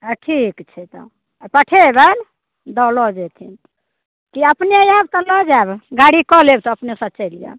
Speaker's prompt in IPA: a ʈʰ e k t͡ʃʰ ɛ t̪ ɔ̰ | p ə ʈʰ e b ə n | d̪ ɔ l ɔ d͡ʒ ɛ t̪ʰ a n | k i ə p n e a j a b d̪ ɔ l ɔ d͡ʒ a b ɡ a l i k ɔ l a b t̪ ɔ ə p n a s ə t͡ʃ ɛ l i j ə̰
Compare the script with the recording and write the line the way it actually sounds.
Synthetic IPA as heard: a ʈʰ i k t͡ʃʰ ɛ t̪ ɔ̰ | p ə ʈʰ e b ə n | d̪ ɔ l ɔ d͡ʒ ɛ t̪ʰ i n | k i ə p n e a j a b t̪ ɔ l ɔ d͡ʒ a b ɡ a ɽ i k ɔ l e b t̪ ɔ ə p n e s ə t͡ʃ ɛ l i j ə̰